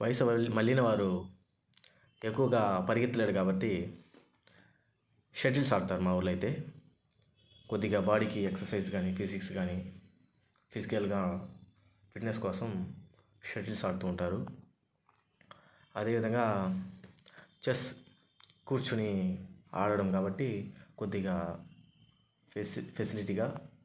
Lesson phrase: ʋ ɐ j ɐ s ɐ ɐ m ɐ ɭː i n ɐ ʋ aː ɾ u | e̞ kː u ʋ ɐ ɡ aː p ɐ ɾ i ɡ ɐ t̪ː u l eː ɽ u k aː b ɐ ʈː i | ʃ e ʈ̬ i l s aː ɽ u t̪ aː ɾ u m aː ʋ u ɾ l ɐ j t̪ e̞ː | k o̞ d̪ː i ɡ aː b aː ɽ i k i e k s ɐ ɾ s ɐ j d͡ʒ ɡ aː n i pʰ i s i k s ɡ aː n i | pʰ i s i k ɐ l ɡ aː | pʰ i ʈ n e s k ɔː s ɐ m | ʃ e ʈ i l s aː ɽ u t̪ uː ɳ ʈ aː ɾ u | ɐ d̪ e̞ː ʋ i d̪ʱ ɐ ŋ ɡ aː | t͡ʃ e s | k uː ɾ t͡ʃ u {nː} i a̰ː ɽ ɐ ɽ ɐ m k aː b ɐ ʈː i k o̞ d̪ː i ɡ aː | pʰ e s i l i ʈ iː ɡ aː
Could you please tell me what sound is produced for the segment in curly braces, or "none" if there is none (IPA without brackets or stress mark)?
n